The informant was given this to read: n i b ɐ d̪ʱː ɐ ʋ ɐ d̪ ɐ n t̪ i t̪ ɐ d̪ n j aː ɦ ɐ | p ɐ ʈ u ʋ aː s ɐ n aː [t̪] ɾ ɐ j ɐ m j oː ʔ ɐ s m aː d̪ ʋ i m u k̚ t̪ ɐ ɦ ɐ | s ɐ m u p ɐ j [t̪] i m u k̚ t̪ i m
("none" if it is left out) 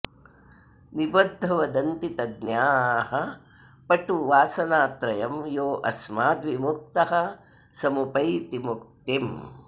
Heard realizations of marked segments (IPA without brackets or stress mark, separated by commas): t̪, t̪